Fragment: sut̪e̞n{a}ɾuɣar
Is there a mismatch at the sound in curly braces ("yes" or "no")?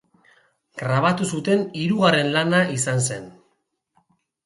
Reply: yes